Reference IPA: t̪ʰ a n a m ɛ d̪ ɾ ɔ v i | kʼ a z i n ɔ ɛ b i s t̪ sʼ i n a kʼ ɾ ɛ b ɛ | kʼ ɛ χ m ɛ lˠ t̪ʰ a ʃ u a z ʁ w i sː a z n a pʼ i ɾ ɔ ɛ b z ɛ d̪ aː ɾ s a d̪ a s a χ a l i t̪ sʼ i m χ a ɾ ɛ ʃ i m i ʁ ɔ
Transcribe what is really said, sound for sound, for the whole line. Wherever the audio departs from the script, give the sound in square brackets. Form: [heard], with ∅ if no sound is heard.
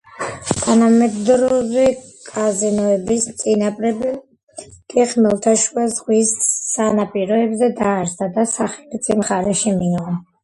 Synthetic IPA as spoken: t̪ʰ a n a m ɛ d̪ ɾ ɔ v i | kʼ a z i n ɔ ɛ b i s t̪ sʼ i n a [pʼ] ɾ ɛ b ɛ | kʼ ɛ χ m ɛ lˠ t̪ʰ a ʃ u a z ʁ w i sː a [∅] n a pʼ i ɾ ɔ ɛ b z ɛ d̪ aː ɾ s a d̪ a s a χ [ɛ] l i t̪ sʼ i m χ a ɾ ɛ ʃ i m i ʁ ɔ

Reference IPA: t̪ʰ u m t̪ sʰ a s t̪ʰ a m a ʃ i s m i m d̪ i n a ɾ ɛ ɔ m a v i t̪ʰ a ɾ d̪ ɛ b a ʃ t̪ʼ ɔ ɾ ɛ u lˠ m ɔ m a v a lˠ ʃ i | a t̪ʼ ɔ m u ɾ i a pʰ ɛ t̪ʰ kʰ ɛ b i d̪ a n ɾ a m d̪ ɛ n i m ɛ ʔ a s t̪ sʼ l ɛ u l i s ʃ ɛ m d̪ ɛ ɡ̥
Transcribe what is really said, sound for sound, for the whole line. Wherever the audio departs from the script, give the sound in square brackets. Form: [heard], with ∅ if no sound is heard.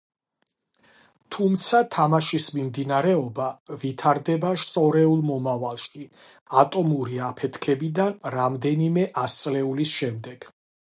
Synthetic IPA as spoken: t̪ʰ u m t̪ sʰ a [∅] t̪ʰ a m a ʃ i s m i m d̪ i n a ɾ ɛ ɔ [b] a v i t̪ʰ a ɾ d̪ ɛ b a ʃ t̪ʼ ɔ ɾ ɛ u lˠ m ɔ m a v a lˠ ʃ i | a t̪ʼ ɔ m u ɾ i a pʰ ɛ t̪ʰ kʰ ɛ b i d̪ a n ɾ a m d̪ ɛ n i m ɛ ʔ a s t̪ sʼ l ɛ u l i s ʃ ɛ m d̪ ɛ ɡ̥

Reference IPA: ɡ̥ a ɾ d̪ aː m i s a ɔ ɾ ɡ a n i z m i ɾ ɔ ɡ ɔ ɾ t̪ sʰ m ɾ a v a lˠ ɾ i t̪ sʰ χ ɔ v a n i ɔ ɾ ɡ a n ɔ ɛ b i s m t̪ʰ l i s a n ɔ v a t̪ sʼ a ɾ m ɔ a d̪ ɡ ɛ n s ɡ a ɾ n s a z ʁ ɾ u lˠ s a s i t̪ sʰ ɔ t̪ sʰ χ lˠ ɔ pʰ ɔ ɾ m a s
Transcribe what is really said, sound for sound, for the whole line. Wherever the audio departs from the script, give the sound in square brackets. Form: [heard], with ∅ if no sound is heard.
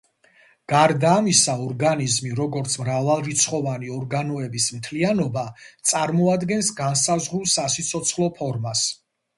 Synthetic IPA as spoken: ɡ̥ a ɾ d̪ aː m i s a ɔ ɾ ɡ a n i z m i ɾ ɔ ɡ ɔ ɾ t̪ sʰ m ɾ a v a lˠ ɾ i t̪ sʰ χ ɔ v a n i ɔ ɾ ɡ a n ɔ ɛ b i s m t̪ʰ l i [∅] a n ɔ [b] a t̪ sʼ a ɾ m ɔ a d̪ ɡ ɛ n s ɡ a [∅] n s a z ʁ ɾ u lˠ s a s i t̪ sʰ ɔ t̪ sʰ χ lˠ ɔ pʰ ɔ ɾ m a s

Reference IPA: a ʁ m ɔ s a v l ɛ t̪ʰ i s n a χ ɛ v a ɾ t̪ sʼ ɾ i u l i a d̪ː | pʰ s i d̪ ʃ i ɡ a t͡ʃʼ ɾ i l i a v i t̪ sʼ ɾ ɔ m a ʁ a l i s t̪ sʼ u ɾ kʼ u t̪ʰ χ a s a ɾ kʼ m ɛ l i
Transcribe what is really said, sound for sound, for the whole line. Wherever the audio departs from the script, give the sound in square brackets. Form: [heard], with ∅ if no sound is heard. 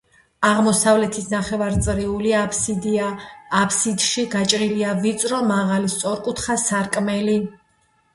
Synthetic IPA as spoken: a ʁ m ɔ s a v l ɛ t̪ʰ i s n a χ ɛ v a ɾ t̪ sʼ ɾ i u l i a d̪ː | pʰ s i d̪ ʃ i ɡ a t͡ʃʼ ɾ i l i a v i t̪ sʼ ɾ ɔ m a ʁ a l i s t̪ sʼ [ɔ] ɾ kʼ u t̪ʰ χ a s a ɾ kʼ m ɛ l i

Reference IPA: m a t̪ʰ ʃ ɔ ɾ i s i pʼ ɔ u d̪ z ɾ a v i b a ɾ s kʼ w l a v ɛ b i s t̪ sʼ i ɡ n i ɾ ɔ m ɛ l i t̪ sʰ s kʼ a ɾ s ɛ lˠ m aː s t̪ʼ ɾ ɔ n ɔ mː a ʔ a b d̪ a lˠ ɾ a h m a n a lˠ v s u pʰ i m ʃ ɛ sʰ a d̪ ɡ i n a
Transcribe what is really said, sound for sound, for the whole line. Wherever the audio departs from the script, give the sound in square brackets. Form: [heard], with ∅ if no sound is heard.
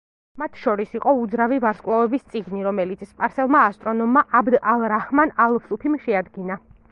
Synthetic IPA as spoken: m a t̪ʰ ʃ ɔ ɾ i s i [qʼ] ɔ u d̪ z ɾ a v i [v] a ɾ s kʼ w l a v ɛ b i s t̪ sʼ i ɡ n i ɾ ɔ m ɛ l i t̪ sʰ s [pʼ] a ɾ s ɛ lˠ m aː s t̪ʼ ɾ ɔ n ɔ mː a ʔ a b d̪ a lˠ ɾ a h m a n a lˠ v s u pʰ i m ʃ ɛ [∅] a d̪ ɡ i n a

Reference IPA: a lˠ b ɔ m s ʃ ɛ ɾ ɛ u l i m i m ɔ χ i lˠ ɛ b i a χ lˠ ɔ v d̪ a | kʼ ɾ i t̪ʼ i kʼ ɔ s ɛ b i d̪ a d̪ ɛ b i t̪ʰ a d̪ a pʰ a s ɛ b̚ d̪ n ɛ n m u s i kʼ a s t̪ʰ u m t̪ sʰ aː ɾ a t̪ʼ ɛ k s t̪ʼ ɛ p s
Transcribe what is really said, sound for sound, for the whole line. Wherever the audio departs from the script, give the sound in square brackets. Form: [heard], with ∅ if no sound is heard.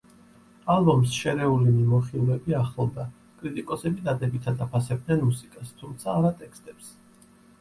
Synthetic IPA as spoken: a lˠ b ɔ m s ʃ ɛ ɾ ɛ u l i m i m ɔ χ i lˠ ɛ b i a χ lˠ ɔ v d̪ a | kʼ ɾ i t̪ʼ i kʼ ɔ s ɛ b i d̪ a d̪ ɛ b i t̪ʰ a d̪ a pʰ a s ɛ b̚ d̪ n ɛ n m u s i kʼ a s t̪ʰ u m t̪ sʰ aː ɾ a t̪ʼ ɛ k s t̪ʼ ɛ p s

